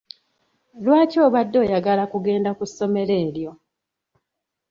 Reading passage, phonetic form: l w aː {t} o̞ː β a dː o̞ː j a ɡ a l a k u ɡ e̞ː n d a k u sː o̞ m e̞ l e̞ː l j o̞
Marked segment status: incorrect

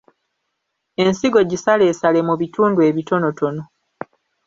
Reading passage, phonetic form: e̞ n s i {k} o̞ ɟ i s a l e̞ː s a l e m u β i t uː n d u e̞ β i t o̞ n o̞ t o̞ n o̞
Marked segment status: incorrect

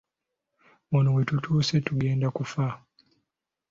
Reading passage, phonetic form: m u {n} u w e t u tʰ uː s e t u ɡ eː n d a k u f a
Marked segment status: correct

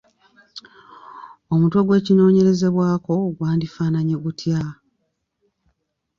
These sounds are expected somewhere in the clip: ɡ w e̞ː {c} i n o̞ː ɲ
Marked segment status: correct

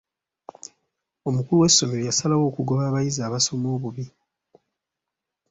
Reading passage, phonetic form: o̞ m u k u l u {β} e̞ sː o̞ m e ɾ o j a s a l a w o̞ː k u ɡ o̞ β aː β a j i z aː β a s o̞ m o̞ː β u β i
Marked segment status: incorrect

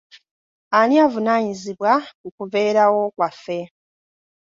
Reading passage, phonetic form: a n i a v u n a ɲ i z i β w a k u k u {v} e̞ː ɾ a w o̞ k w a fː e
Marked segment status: correct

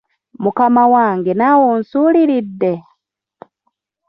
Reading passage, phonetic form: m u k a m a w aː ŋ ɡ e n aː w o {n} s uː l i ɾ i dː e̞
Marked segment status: correct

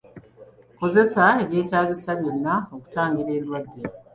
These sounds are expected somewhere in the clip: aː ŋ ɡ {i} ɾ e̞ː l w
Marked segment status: correct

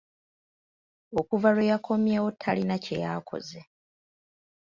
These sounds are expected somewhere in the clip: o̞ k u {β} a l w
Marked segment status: incorrect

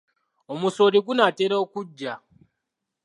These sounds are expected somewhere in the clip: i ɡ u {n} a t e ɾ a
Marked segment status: correct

